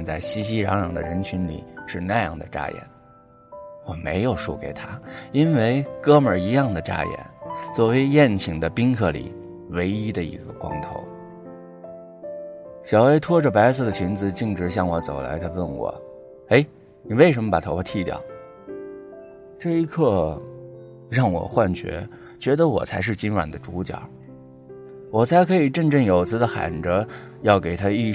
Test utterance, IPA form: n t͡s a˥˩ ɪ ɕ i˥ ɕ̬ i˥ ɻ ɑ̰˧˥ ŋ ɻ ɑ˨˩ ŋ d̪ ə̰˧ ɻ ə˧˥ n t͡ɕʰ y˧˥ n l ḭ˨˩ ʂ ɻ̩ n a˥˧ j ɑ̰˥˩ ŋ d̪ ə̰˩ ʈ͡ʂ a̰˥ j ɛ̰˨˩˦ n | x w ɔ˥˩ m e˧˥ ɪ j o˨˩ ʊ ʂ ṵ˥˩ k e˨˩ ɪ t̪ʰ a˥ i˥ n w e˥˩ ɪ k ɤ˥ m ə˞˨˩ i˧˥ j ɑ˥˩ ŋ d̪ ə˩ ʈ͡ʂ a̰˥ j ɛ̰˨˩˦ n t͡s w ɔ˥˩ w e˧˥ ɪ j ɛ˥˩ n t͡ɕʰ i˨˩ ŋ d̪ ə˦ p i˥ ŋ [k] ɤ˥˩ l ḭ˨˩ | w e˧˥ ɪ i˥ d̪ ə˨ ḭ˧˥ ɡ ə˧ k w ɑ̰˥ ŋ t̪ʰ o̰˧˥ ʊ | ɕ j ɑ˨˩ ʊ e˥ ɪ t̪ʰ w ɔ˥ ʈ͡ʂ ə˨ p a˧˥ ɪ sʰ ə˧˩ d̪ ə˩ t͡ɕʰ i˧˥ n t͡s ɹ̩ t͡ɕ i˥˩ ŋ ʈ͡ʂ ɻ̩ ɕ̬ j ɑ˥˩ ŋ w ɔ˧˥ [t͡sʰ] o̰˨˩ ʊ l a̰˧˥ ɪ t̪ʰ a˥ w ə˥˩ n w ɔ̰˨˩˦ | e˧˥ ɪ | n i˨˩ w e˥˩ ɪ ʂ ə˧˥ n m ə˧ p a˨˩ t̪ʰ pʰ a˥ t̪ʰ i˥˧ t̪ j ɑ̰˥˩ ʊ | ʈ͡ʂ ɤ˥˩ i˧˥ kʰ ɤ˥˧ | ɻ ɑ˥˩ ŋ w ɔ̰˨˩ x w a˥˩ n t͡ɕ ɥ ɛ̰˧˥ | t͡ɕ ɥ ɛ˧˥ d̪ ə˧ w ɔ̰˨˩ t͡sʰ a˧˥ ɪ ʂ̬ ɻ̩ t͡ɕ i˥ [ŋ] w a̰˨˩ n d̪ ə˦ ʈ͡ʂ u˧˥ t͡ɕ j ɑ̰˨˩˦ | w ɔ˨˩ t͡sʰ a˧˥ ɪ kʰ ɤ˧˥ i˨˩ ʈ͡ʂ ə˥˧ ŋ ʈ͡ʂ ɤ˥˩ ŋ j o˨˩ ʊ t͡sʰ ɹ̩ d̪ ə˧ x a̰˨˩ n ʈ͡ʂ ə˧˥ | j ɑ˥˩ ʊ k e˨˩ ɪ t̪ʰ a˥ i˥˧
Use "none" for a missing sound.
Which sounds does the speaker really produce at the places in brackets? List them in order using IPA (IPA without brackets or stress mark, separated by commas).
kʰ, t͡s, n